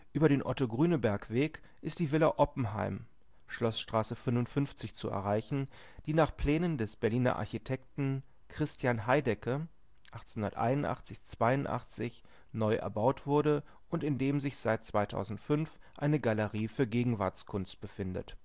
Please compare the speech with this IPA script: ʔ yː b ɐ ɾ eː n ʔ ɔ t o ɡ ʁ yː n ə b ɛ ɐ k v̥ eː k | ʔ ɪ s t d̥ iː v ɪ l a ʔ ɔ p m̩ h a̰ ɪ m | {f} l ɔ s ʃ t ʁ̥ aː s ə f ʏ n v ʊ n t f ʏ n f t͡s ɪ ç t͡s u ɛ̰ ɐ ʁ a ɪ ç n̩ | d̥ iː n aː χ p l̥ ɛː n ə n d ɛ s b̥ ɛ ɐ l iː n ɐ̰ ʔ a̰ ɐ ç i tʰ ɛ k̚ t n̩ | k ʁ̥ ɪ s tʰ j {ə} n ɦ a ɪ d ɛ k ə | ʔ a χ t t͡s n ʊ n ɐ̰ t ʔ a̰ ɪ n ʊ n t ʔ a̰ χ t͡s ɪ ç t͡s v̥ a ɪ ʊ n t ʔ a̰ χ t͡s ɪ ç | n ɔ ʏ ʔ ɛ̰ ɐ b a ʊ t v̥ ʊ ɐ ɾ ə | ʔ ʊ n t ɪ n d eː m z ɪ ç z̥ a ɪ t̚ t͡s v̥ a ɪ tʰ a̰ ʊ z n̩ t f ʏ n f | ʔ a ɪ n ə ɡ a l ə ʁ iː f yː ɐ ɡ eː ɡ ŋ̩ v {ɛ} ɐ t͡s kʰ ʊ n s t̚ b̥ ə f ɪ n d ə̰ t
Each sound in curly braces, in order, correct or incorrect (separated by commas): incorrect, incorrect, incorrect